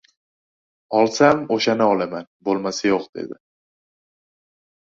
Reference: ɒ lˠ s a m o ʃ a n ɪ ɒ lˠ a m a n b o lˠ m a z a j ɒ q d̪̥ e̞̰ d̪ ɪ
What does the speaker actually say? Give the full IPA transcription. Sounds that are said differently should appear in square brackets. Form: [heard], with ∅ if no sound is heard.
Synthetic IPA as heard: ɒ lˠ s a m o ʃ a n ɪ ɒ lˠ a m a n b o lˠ m a [s] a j [o] q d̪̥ e̞̰ d̪ ɪ